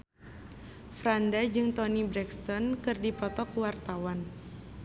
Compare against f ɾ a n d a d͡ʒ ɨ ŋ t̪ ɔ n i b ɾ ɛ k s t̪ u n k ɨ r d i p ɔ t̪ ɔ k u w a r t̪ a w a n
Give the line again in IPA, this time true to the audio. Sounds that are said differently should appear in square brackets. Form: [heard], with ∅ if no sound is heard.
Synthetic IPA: f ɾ a n d a d͡ʒ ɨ ŋ t̪ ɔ n i b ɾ ɛ k s t̪ [ɔ] n k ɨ r d i p ɔ t̪ ɔ k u w a r t̪ a w a n